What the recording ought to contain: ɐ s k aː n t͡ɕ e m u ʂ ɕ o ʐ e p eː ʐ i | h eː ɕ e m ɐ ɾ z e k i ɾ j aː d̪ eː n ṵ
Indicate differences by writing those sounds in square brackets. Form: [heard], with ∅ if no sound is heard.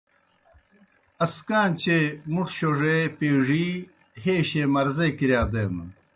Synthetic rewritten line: ɐ s k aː n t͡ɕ e m u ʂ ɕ o ʐ e p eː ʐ i | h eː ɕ e m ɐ ɾ z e k i ɾ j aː d̪ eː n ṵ